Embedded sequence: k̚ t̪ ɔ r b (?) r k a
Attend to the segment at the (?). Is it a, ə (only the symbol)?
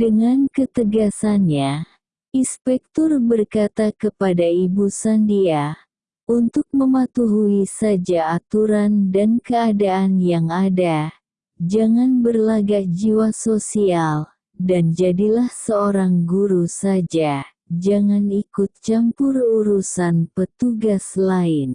ə